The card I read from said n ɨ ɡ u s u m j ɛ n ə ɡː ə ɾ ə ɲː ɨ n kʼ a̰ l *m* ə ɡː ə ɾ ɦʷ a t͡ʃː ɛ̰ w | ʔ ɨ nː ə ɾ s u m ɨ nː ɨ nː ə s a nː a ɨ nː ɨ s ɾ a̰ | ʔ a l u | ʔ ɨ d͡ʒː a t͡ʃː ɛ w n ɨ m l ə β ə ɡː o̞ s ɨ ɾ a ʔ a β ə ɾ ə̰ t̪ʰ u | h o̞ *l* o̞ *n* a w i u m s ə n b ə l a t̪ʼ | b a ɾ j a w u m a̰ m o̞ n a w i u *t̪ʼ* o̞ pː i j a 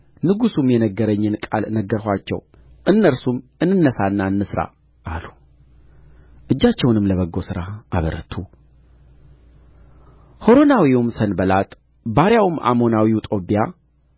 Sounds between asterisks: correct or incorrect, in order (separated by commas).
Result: incorrect, incorrect, correct, correct